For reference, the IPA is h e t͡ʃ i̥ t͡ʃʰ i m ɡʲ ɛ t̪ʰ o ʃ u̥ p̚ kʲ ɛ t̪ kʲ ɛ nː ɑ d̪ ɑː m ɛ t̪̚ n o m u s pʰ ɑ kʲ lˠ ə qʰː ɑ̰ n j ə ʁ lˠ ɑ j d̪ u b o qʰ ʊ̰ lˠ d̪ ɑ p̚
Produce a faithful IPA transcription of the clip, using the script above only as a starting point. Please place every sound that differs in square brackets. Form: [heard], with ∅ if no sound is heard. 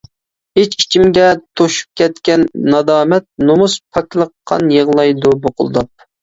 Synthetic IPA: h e t͡ʃ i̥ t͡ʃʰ i m ɡʲ ɛ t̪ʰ o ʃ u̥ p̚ kʲ ɛ t̪ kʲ ɛ nː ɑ d̪ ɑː m ɛ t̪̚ n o m u s pʰ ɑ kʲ lˠ ə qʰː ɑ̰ n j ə ʁ lˠ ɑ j d̪ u b o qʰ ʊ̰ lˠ d̪ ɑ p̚